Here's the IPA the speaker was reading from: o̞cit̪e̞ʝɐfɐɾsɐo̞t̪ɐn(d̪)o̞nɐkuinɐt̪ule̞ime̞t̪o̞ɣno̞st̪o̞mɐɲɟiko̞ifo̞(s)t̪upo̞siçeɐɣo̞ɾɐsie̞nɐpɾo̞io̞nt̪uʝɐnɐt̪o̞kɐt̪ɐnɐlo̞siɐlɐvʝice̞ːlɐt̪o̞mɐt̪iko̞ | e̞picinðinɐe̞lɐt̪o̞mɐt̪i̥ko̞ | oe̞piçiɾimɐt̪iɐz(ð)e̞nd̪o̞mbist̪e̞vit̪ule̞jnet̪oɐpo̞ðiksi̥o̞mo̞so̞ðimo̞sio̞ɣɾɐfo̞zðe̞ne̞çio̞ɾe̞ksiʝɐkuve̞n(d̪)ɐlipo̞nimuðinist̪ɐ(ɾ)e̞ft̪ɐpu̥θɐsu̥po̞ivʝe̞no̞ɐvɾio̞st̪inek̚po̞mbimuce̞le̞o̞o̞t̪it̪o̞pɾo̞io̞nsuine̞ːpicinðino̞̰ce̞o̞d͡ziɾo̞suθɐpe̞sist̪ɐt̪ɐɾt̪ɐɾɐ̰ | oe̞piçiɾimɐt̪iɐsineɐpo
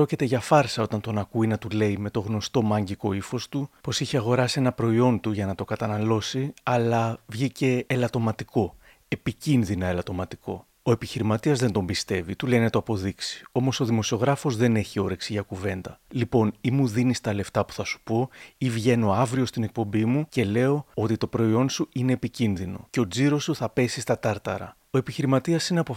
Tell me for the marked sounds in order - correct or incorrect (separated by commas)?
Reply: incorrect, correct, correct, correct, incorrect